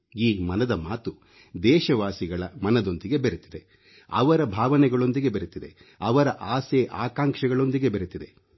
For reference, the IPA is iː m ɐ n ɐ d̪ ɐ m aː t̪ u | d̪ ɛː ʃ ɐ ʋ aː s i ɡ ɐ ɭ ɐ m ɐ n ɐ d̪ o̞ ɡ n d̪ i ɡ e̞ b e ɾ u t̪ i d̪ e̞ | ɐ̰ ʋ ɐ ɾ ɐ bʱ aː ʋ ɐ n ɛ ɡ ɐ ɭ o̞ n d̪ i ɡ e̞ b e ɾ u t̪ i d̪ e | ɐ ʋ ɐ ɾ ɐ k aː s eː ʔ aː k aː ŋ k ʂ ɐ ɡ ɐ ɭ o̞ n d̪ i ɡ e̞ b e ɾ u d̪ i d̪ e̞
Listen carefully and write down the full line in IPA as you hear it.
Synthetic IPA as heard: iː m ɐ n ɐ d̪ ɐ m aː t̪ u | d̪ ɛː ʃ ɐ ʋ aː s i ɡ ɐ ɭ ɐ m ɐ n ɐ d̪ o̞ n d̪ i ɡ e̞ b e ɾ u t̪ i d̪ e̞ | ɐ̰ ʋ ɐ ɾ ɐ bʱ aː ʋ ɐ n ɛ ɡ ɐ ɭ o̞ n d̪ i ɡ e̞ b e ɾ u t̪ i d̪ e | ɐ ʋ ɐ ɾ ɐ ʔ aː s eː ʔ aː k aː ŋ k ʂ ɐ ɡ ɐ ɭ o̞ n d̪ i ɡ e̞ b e ɾ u t̪ i d̪ e̞